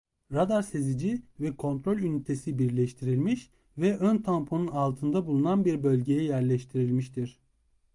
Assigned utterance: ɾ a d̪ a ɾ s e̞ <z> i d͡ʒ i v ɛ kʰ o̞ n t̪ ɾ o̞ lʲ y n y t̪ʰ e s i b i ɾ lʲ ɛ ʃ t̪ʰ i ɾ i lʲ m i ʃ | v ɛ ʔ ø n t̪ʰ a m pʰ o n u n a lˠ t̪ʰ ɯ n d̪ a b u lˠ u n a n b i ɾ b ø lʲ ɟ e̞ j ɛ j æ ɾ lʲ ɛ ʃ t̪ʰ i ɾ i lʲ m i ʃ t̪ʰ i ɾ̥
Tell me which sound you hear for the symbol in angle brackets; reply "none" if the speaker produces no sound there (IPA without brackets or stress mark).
z